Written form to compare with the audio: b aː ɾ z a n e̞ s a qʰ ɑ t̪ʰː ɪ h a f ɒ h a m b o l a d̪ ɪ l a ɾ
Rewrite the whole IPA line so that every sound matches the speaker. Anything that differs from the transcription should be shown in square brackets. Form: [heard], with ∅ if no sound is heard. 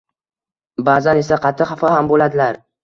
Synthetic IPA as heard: b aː [∅] z a n e̞ s a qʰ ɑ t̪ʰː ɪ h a f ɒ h a m b o l a d̪ ɪ l a ɾ